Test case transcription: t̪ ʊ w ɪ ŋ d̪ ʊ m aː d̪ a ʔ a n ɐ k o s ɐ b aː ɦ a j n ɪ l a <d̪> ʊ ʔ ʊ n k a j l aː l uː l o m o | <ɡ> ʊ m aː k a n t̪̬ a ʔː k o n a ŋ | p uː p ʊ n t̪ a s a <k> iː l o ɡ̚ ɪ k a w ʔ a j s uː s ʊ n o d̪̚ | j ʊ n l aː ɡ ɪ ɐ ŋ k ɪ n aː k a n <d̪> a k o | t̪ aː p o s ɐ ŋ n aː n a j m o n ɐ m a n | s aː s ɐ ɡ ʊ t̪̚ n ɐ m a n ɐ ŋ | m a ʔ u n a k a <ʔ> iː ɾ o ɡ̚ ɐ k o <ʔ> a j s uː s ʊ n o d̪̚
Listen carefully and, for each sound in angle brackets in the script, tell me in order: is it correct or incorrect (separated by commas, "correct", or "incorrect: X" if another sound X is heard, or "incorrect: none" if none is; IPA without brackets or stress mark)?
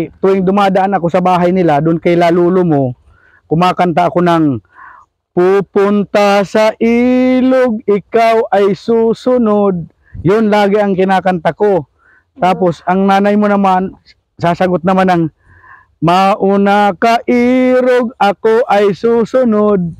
correct, incorrect: k, incorrect: ʔ, incorrect: t̪, correct, correct